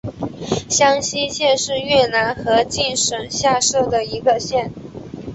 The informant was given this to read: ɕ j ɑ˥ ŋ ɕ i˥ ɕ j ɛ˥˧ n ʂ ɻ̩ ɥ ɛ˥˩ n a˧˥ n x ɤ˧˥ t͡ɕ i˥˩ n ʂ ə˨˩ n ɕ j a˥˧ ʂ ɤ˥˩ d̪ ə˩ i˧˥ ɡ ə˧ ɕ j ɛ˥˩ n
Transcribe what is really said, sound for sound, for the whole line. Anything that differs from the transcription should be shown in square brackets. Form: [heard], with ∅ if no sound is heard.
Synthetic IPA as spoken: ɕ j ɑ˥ ŋ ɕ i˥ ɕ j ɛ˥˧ n ʂ ɻ̩ ɥ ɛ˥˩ n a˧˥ n x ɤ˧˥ t͡ɕ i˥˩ n ʂ ə˨˩ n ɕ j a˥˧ ʂ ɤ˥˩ d̪ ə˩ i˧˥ ɡ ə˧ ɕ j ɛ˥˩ n